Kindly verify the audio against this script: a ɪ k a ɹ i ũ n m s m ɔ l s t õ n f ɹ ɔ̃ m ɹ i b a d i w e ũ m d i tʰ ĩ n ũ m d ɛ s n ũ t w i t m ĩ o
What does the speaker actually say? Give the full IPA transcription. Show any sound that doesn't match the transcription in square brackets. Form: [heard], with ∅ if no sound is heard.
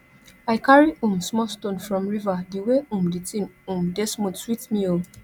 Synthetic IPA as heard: a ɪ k a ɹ i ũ [∅] m s m ɔ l s t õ n f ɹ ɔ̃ m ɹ i [v] a d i w e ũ m d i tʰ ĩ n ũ m d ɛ s [m] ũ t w i t m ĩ o